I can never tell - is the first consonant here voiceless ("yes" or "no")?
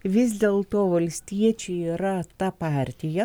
no